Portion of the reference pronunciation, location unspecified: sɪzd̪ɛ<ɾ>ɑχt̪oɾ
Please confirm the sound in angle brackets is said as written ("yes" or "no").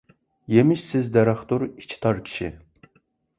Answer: yes